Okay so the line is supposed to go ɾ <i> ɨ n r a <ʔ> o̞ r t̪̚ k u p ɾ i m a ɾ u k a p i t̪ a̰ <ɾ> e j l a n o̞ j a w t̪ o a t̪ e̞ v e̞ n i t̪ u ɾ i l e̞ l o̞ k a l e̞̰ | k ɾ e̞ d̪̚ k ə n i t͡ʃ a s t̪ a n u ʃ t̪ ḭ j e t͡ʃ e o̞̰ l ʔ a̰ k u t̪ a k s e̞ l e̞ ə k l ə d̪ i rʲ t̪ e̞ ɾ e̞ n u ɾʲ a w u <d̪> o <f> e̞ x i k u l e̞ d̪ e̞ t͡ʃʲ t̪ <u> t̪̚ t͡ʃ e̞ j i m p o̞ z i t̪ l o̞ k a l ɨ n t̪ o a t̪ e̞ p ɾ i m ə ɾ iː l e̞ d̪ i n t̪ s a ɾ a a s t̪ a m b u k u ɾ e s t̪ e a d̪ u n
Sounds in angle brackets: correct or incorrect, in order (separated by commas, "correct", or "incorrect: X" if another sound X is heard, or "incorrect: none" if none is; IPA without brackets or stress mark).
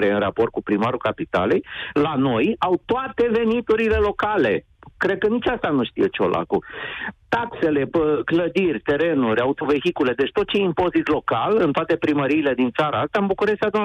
incorrect: e, incorrect: p, incorrect: l, incorrect: t̪, incorrect: v, incorrect: o